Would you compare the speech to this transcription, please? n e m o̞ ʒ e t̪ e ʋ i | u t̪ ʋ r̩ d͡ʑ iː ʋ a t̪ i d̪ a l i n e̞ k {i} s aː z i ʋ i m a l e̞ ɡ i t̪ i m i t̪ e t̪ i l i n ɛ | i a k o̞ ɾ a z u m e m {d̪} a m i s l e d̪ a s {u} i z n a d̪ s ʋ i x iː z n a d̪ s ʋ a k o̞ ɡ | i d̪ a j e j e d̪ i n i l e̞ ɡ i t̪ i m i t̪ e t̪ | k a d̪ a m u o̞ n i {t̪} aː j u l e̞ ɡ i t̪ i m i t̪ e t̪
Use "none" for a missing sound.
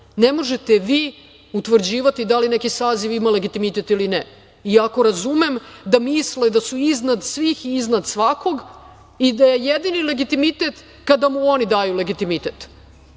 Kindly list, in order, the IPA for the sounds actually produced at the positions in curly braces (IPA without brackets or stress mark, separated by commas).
i, d̪, u, d̪